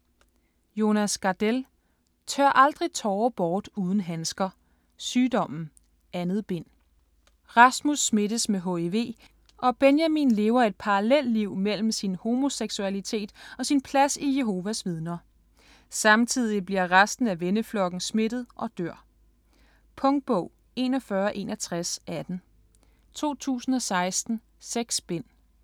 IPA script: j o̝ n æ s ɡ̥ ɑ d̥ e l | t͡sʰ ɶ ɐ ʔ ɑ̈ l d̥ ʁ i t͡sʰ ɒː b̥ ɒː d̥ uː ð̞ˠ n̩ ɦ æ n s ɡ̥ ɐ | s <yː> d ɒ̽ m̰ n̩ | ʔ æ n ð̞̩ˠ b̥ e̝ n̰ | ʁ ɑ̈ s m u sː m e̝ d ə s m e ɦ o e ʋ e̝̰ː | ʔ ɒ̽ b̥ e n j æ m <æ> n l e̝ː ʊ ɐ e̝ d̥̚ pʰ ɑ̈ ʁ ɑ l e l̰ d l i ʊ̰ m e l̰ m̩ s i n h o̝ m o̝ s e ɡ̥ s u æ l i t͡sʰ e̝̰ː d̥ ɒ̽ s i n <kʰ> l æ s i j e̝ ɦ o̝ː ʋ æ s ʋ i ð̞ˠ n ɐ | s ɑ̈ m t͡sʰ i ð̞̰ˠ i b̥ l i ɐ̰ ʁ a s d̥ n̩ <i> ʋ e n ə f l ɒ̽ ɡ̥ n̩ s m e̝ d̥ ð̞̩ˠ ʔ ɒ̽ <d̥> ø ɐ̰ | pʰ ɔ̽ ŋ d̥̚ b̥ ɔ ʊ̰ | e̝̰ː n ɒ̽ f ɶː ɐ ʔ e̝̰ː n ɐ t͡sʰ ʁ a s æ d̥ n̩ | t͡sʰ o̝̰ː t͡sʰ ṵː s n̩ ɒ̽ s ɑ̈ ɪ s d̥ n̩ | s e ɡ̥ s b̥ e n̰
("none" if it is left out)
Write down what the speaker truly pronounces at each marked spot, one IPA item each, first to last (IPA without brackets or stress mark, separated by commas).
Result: yː, i, pʰ, æ, d̥